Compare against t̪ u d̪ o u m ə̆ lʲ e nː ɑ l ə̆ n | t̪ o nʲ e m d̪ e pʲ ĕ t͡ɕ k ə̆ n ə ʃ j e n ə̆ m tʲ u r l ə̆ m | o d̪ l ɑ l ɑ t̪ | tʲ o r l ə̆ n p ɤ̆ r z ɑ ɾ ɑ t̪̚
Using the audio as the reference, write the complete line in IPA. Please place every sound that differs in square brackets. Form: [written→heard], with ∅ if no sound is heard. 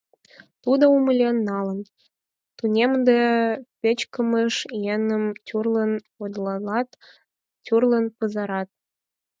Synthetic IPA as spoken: t̪ u d̪ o u m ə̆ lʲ e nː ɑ l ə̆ n | t̪ [o→u] nʲ e m d̪ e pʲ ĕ t͡ɕ k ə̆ [n→m] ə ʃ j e n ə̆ m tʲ u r l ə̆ [m→n] | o d̪ l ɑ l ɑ t̪ | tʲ [o→u] r l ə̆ n p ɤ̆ [r→∅] z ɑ ɾ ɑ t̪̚